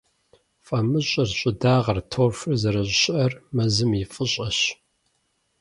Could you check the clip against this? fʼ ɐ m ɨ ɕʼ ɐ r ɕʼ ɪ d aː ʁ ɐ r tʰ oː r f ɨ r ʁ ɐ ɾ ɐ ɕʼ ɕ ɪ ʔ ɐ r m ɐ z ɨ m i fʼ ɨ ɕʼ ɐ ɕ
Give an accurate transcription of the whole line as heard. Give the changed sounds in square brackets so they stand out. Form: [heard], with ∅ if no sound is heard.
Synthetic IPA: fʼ ɐ m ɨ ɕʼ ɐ r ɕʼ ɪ d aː ʁ ɐ r tʰ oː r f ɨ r [z] ɐ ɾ ɐ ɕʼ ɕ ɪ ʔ ɐ r m ɐ z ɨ m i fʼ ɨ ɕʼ ɐ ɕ